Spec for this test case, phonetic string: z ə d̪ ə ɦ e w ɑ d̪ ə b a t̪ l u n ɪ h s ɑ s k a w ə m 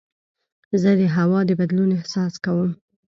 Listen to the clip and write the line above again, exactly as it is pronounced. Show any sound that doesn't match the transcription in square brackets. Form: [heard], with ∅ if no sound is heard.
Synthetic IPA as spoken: z ə d̪ ə ɦ [a] w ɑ d̪ ə b a [d̪] l u n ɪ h s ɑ s k a w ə m